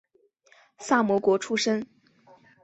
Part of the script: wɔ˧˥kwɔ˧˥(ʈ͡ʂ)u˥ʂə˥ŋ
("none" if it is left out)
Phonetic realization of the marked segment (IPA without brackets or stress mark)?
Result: ʈ͡ʂʰ